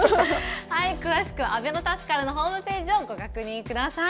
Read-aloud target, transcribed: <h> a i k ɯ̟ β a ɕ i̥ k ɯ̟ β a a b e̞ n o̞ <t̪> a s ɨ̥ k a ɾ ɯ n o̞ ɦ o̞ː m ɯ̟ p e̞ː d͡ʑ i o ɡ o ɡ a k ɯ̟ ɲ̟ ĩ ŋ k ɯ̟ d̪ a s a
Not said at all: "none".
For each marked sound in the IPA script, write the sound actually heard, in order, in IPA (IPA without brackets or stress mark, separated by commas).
h, t̪